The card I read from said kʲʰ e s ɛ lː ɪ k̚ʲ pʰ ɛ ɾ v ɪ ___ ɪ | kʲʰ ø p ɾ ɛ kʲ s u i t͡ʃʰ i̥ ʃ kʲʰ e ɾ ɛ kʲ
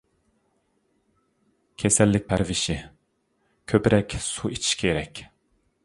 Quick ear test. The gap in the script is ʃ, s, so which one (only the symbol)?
ʃ